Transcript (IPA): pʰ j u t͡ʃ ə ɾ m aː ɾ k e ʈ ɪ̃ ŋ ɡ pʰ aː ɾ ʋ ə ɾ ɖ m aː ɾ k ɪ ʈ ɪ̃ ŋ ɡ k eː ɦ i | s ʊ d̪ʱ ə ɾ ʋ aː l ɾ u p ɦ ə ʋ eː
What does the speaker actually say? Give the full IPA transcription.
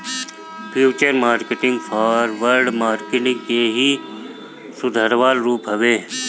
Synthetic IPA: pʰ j uː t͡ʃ ə ɾ m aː ɾ k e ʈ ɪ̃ ŋ ɡ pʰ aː ɾ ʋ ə ɾ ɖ m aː ɾ k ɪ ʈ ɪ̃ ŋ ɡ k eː ɦ i | s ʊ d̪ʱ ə ɾ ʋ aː l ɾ uː p ɦ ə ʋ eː